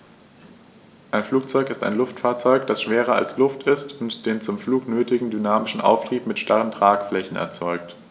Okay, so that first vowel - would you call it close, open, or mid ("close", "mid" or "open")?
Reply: open